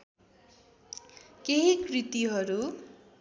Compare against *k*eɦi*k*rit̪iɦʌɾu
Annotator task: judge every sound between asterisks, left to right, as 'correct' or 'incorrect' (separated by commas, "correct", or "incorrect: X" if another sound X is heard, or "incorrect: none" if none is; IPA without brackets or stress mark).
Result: correct, correct